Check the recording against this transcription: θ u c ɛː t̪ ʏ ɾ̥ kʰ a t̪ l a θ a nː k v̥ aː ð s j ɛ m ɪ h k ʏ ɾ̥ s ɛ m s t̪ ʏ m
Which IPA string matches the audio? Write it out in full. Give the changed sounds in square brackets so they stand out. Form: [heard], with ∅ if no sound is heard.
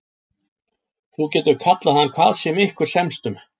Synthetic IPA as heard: θ u c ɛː t̪ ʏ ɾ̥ kʰ a t̪ l a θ a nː [kʰ] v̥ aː ð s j ɛ m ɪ h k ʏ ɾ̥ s ɛ m s t̪ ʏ m